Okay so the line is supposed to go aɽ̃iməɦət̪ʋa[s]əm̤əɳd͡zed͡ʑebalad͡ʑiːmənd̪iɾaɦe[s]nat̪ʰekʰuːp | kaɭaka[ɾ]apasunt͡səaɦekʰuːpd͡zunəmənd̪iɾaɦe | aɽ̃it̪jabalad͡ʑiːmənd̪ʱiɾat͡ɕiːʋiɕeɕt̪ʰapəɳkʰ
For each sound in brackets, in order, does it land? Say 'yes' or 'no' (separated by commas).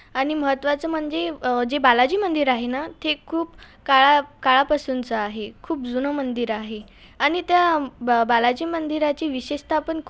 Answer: no, no, no